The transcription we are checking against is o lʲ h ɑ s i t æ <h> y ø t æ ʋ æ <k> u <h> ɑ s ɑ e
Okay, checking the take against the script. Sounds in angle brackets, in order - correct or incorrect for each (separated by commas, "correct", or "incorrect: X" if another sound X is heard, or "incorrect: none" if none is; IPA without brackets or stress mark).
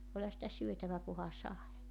incorrect: s, correct, correct